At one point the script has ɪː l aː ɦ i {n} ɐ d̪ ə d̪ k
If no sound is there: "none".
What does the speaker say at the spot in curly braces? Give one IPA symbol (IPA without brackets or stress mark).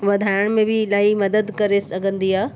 m